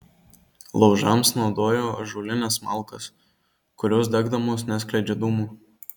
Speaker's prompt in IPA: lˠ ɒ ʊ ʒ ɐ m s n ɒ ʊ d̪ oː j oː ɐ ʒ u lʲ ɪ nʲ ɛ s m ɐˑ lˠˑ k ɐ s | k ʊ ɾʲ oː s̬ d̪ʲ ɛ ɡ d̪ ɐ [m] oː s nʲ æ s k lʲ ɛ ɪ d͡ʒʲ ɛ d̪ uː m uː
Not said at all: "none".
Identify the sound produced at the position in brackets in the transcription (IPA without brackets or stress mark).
m